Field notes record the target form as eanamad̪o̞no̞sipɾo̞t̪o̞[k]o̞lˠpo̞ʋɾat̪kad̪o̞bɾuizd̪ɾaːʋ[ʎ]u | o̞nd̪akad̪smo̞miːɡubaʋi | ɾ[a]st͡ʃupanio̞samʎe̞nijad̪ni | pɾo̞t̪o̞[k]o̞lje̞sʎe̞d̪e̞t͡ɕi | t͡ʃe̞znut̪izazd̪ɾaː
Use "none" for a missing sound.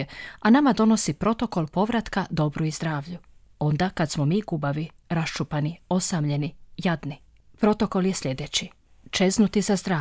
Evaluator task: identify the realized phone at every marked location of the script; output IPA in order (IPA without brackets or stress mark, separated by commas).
k, ʎ, a, k